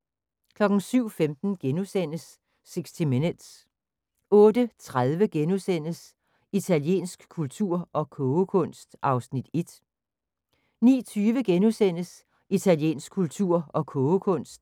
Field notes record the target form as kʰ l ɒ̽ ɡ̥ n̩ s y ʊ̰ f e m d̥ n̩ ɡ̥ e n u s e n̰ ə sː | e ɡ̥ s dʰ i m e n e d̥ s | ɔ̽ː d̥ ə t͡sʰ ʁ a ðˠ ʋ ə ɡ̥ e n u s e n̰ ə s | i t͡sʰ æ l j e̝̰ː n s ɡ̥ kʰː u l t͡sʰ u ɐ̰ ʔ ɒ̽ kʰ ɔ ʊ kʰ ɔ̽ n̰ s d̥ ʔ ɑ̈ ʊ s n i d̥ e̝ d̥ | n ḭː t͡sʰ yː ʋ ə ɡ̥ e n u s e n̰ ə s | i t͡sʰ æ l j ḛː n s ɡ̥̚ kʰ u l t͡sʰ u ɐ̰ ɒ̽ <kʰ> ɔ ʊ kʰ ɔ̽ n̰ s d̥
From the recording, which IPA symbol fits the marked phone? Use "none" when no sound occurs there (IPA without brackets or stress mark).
kʰ